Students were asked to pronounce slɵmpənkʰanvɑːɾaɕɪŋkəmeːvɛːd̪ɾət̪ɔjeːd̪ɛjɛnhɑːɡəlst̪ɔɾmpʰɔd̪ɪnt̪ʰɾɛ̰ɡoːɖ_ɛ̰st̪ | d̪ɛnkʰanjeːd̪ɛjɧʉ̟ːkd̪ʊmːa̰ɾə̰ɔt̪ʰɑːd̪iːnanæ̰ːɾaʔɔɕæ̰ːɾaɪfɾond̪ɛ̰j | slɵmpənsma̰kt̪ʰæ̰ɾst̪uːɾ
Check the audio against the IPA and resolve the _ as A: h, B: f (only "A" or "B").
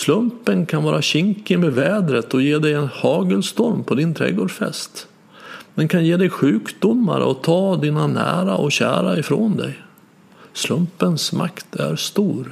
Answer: B